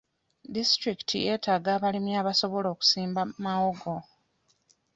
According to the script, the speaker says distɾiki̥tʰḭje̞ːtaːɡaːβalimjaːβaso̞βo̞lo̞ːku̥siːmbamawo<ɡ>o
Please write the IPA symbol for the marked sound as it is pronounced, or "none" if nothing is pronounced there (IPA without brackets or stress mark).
ɡ